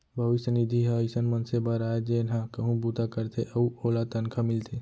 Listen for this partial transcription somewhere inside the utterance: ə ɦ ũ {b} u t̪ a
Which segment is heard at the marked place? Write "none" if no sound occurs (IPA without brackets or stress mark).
b